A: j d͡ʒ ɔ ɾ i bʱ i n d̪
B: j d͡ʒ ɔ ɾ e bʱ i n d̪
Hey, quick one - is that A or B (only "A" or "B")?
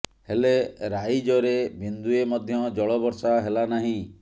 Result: B